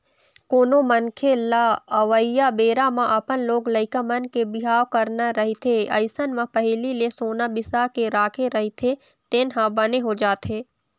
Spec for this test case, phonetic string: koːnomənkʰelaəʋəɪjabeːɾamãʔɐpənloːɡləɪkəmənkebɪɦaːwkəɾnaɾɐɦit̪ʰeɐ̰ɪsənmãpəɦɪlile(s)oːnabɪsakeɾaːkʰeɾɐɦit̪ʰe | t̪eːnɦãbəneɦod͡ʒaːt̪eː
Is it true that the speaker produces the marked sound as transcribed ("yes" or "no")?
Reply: yes